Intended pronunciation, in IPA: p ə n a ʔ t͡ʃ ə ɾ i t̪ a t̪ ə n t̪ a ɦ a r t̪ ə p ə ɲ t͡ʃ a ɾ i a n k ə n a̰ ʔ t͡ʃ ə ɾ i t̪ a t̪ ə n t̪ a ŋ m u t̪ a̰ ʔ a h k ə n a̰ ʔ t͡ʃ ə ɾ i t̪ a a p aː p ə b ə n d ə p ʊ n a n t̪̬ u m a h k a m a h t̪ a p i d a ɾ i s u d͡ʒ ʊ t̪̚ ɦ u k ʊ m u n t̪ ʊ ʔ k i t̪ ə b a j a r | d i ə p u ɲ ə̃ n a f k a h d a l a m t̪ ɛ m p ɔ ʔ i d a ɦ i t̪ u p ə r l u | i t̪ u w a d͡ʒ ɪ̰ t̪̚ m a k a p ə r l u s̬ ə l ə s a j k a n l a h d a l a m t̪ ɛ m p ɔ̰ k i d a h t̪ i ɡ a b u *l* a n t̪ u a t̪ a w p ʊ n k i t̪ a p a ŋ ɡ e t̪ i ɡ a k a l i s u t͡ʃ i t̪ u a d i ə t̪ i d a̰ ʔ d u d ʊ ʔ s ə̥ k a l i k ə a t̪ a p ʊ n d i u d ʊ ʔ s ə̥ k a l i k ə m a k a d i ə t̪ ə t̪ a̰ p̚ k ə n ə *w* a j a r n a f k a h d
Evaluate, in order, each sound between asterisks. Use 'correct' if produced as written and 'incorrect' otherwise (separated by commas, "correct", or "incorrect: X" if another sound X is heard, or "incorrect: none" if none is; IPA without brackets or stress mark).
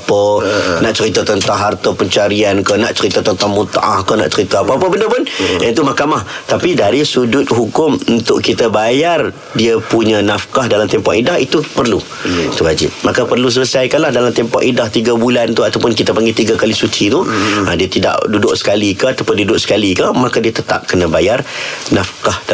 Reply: correct, incorrect: b